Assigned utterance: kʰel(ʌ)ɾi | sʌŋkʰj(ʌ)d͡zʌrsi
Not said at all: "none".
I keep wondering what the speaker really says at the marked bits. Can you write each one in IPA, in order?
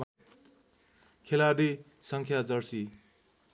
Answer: a, a

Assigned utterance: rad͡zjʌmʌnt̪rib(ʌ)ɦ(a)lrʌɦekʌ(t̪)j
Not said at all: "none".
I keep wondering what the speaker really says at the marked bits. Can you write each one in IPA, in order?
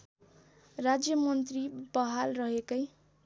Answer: ʌ, a, none

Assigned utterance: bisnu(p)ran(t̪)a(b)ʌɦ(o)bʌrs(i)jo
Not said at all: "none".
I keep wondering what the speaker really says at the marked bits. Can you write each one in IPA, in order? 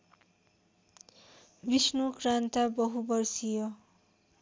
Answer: k, t̪, b, u, i

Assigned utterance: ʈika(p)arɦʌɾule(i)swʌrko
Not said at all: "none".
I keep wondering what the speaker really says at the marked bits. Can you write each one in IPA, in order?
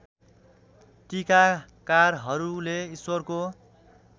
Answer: k, i

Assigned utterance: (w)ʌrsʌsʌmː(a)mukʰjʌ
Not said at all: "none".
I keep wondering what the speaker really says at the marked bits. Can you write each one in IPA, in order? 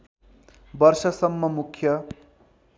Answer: b, ʌ

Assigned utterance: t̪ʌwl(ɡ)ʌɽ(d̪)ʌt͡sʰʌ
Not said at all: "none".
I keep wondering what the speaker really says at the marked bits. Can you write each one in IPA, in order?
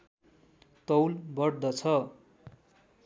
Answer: b, d̪

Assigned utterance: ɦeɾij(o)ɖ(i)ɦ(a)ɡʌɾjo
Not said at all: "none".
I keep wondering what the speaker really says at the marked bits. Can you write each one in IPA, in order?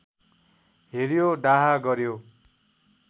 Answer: o, a, a

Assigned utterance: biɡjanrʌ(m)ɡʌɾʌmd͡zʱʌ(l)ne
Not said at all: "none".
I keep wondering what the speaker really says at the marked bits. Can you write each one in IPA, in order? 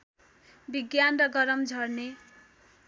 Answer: none, r

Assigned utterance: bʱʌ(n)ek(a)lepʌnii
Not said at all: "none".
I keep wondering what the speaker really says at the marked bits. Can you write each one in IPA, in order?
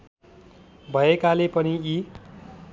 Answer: none, a

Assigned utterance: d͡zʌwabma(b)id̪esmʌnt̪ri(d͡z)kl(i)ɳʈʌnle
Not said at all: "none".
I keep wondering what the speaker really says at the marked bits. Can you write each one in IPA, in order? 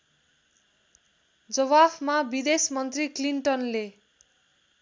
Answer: b, none, i

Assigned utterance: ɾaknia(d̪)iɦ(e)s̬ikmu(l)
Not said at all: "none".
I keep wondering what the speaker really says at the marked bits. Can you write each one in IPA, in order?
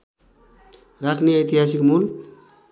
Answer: t̪, a, l

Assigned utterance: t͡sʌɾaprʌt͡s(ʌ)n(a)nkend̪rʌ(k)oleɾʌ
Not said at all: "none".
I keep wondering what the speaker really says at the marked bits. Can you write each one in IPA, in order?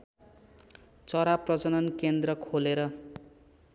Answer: ʌ, ʌ, kʰ

